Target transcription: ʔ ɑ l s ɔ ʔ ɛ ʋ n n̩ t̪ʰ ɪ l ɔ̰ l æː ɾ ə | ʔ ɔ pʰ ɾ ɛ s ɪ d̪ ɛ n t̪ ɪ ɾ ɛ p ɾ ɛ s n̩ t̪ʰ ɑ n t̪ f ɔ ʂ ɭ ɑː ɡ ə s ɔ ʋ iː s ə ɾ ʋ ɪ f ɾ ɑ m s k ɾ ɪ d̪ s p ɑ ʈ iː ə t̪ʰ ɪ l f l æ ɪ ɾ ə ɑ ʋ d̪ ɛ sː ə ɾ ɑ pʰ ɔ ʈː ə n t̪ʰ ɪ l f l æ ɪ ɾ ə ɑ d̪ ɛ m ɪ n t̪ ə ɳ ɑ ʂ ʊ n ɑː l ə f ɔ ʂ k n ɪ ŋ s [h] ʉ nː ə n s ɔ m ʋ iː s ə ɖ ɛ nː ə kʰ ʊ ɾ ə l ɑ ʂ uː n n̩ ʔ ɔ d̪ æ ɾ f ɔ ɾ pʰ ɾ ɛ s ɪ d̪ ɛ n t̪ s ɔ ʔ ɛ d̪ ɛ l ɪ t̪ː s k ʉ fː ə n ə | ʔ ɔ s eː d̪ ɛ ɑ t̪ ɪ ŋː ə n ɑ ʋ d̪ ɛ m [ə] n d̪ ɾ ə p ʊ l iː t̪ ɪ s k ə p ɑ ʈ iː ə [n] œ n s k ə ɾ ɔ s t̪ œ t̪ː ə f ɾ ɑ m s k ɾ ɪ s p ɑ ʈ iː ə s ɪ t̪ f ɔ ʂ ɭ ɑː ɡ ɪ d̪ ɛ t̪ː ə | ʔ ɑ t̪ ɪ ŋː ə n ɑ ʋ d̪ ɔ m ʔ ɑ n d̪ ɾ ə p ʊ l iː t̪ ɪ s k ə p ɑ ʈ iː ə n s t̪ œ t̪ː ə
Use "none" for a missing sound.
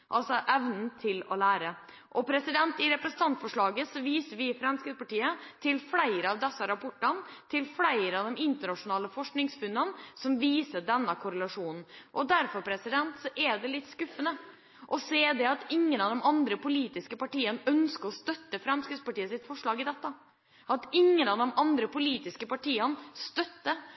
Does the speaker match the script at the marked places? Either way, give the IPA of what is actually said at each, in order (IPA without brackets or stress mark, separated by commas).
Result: f, ɑ, n